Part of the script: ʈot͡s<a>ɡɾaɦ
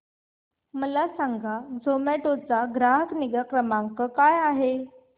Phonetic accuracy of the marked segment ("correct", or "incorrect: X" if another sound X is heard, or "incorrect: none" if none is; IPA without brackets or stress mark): correct